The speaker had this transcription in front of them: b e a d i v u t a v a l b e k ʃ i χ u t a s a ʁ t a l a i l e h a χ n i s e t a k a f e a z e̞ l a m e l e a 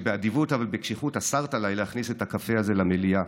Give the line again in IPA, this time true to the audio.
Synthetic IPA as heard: b e a d i v u t a v a l b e k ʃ i χ u t a s a ʁ t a l a j l e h a χ n i s e t a k a f e a z e̞ l a m e l i a